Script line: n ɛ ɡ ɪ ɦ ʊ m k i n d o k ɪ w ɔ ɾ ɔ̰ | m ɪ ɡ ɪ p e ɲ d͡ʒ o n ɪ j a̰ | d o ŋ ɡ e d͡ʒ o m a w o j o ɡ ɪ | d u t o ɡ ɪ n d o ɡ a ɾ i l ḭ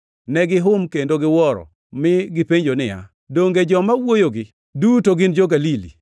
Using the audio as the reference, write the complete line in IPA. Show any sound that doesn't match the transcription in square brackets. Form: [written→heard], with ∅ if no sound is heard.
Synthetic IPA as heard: n ɛ ɡ ɪ ɦ ʊ m k [i→e] n d o [k→ɡ] ɪ w ɔ ɾ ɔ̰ | m ɪ ɡ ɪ p e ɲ d͡ʒ o n ɪ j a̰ | d o ŋ ɡ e d͡ʒ [o→ɔ] m a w o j o ɡ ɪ | d u t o ɡ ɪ n [d→d͡ʒ] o ɡ a [ɾ→l] i l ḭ